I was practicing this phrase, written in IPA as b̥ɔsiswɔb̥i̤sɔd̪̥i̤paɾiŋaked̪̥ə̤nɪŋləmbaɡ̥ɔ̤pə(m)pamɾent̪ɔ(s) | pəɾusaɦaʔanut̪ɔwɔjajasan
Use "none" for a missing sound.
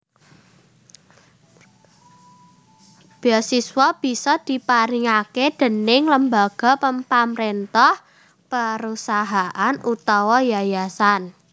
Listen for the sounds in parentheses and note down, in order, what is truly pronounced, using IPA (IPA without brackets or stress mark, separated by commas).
m, h